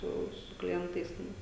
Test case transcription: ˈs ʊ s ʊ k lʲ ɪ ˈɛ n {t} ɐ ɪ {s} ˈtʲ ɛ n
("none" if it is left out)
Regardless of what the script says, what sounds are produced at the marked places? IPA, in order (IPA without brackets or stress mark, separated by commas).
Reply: t, s